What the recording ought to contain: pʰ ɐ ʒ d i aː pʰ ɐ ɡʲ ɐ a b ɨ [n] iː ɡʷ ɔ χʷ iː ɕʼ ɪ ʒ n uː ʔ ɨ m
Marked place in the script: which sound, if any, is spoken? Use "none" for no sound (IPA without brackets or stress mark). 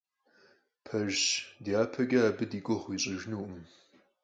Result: d